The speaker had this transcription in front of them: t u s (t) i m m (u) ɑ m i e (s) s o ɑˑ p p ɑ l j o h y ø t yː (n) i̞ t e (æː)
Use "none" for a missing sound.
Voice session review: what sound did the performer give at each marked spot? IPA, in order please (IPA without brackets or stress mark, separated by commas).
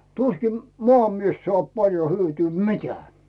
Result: k, o, s, m, æː